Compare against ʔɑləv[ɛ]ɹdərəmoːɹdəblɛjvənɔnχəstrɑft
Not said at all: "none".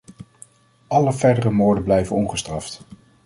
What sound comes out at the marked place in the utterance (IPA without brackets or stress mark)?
ɛ